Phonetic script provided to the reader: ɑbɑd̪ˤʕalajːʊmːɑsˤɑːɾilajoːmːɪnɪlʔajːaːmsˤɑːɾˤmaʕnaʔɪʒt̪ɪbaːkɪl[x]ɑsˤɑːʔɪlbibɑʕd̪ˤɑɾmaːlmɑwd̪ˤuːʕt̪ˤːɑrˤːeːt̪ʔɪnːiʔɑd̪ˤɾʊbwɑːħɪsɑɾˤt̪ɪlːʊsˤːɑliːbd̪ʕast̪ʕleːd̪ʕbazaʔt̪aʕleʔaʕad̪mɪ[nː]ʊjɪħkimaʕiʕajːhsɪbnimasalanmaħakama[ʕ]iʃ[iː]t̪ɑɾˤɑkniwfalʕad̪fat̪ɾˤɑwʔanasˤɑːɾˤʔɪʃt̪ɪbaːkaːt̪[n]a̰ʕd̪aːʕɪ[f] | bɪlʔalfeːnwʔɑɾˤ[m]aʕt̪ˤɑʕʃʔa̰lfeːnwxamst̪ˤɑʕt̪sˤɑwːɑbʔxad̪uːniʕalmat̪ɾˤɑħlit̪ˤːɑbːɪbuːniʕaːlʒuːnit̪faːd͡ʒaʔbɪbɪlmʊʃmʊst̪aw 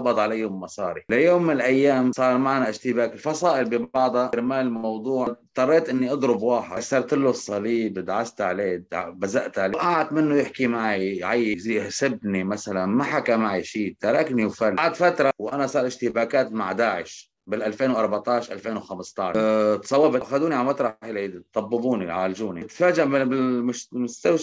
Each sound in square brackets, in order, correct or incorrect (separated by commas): incorrect, correct, correct, correct, incorrect, incorrect, incorrect